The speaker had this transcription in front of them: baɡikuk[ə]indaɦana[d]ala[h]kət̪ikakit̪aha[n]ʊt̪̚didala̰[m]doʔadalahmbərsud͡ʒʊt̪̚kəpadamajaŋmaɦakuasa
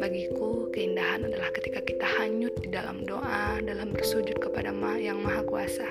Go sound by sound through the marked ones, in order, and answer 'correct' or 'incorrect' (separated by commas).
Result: correct, correct, correct, incorrect, correct